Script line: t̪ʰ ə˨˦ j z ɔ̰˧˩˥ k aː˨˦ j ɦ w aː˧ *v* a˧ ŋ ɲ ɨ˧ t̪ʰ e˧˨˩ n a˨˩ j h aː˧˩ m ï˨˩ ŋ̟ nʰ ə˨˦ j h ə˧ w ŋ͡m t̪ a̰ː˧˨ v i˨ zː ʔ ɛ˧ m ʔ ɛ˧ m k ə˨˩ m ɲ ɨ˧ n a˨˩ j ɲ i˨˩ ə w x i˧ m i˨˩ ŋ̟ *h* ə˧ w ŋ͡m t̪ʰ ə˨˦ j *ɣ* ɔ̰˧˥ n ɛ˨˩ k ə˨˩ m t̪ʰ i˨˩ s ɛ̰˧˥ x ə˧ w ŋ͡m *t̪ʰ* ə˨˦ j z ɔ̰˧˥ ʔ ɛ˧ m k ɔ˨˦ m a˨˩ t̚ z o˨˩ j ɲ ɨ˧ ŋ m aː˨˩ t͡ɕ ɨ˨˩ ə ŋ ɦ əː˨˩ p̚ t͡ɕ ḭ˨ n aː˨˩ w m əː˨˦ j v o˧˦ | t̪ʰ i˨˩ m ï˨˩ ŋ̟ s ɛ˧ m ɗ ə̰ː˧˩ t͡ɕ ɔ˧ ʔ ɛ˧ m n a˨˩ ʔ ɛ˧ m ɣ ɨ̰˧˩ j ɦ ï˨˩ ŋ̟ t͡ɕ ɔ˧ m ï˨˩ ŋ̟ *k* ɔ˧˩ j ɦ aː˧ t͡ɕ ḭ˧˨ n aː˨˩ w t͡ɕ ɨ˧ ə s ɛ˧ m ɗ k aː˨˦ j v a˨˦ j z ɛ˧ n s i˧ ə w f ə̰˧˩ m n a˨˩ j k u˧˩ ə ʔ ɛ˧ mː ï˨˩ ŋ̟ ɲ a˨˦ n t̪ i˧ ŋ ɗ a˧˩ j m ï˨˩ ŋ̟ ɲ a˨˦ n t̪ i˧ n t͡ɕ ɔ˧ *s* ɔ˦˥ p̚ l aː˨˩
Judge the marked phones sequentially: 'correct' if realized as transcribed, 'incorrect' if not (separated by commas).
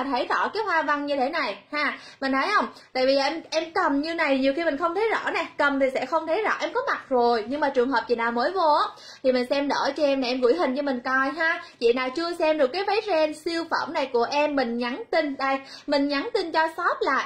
correct, incorrect, incorrect, correct, correct, correct